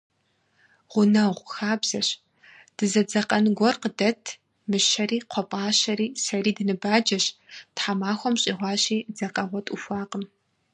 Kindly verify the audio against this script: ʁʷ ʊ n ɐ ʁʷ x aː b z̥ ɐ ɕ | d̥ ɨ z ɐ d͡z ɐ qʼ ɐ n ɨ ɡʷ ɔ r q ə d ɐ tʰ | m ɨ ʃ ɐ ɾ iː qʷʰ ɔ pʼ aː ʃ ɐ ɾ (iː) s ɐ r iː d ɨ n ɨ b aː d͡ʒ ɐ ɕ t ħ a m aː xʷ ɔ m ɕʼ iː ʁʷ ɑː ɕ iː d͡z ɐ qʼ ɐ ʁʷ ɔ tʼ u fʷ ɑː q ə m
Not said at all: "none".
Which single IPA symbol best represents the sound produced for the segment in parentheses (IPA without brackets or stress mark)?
iː